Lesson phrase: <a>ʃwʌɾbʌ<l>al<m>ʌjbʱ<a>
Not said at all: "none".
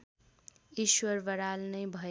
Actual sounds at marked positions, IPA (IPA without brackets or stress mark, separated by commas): i, ɾ, n, ʌ